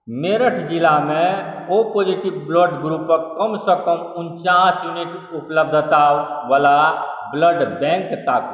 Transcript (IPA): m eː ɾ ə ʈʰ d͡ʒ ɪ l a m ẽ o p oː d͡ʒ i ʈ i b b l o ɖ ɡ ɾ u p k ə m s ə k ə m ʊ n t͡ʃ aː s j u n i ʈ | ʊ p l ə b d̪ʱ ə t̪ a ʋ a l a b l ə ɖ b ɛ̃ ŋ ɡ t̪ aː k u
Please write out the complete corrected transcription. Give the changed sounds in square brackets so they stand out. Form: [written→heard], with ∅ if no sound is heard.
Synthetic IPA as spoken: m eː ɾ ə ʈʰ d͡ʒ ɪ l a m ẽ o p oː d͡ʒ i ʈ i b b l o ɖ ɡ ɾ u p k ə m s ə k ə m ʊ n t͡ʃ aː s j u n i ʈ | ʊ p l ə b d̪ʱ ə t̪ a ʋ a l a b l ə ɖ b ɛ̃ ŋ [ɡ→k] t̪ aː k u